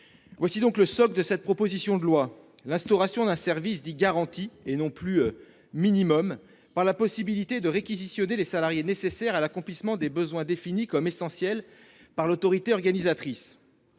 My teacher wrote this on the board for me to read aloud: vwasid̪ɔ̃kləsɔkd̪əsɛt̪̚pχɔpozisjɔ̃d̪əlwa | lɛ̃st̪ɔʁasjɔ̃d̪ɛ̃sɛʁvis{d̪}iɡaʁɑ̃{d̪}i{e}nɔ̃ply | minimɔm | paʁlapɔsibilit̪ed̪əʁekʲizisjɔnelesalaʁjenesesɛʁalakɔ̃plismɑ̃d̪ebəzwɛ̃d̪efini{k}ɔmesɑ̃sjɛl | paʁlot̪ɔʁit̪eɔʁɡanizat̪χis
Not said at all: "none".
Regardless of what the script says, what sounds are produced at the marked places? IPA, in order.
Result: d̪, t̪, e, k

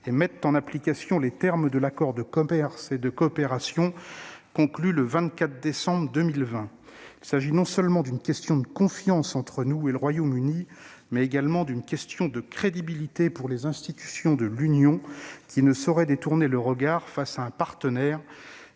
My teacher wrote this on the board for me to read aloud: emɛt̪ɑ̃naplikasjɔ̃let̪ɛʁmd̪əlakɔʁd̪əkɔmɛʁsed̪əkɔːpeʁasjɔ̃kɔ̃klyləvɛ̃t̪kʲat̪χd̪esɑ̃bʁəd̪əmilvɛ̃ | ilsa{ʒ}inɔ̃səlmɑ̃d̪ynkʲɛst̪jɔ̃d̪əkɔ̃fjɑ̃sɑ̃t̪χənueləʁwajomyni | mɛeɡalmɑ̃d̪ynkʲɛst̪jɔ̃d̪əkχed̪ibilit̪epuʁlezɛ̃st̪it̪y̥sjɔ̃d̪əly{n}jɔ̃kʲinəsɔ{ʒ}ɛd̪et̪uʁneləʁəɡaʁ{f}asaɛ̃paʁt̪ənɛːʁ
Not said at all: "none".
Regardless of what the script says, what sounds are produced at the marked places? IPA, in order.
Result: ʒ, n, ʁ, f

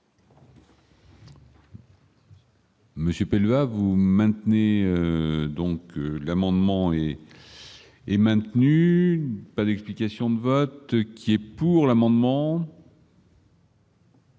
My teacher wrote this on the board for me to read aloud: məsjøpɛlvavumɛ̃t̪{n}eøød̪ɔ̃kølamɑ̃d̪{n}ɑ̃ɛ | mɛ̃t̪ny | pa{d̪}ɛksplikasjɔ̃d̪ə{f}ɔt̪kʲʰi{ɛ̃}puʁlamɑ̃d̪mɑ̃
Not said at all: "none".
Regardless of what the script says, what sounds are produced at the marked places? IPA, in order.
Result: n, m, d̪, v, ɛ

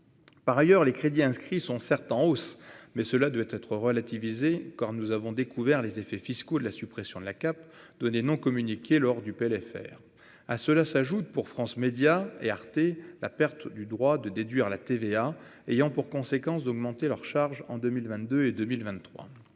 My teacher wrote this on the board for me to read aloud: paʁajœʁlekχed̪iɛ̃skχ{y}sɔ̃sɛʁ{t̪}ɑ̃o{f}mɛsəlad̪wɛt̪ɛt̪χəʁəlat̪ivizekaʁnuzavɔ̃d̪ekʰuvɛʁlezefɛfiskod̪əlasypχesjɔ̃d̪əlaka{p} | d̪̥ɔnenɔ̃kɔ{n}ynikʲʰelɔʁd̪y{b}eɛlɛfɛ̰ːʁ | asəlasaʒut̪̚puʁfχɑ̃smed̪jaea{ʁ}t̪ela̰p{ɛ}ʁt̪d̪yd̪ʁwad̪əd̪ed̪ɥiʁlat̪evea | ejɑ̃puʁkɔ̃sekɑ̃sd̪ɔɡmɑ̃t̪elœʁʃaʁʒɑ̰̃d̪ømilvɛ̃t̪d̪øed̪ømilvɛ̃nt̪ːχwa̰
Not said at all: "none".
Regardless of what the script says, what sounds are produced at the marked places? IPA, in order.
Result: i, t̪, s, p, m, p, ʁ, ɛ

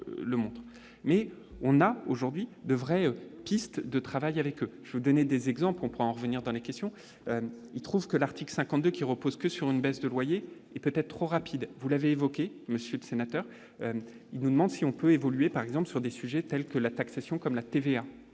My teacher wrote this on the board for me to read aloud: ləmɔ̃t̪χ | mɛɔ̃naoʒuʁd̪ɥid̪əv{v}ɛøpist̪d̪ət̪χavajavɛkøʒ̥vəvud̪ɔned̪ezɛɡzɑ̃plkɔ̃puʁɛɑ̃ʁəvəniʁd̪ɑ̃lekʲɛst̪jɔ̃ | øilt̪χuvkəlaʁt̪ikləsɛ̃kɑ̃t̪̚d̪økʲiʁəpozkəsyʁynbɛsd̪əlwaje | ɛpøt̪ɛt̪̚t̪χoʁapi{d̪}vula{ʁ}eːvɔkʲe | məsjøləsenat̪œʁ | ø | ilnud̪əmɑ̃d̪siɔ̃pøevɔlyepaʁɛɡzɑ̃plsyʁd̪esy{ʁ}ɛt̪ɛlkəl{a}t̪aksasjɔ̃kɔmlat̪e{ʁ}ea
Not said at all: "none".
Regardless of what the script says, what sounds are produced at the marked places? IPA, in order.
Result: ʁ, d̪, v, ʒ, a, v

